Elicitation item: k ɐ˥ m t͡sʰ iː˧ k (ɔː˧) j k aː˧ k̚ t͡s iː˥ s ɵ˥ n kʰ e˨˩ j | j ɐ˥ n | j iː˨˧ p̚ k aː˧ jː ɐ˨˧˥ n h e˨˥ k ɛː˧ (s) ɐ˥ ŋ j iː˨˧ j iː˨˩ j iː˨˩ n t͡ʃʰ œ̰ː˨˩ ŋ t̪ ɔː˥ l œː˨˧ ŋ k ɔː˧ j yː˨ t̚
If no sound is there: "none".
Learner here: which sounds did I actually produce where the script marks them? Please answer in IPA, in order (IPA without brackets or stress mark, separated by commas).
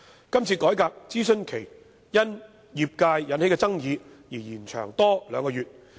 ɔː˨˥, t͡s